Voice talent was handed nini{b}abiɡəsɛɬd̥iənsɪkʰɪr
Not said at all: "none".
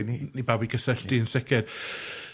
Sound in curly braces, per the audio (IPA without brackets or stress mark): b